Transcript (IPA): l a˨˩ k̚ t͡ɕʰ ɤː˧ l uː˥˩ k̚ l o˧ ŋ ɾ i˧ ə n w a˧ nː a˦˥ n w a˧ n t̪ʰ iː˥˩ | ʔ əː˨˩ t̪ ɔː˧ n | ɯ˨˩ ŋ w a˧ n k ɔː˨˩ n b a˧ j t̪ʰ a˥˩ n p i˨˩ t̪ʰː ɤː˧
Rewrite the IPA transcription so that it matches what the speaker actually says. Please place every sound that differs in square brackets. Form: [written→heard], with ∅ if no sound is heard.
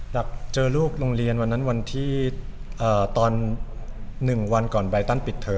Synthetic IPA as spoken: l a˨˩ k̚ [t͡ɕʰ→t͡ɕ] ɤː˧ l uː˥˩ k̚ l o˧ ŋ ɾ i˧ ə n w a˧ nː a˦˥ n w a˧ n t̪ʰ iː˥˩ | ʔ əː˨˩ t̪ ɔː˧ [n→nː] | ɯ˨˩ ŋ w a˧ n k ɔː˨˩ n b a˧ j [t̪ʰ→t̪] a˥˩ n p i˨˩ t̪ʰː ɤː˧